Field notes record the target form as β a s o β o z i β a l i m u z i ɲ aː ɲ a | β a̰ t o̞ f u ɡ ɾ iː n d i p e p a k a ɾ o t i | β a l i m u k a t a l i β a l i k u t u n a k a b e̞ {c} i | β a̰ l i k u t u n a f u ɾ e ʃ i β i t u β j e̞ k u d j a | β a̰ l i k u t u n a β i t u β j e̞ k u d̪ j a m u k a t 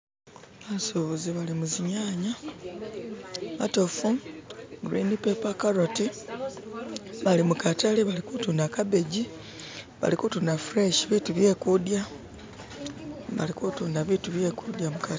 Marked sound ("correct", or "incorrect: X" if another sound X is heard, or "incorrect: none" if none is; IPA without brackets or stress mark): incorrect: ɟ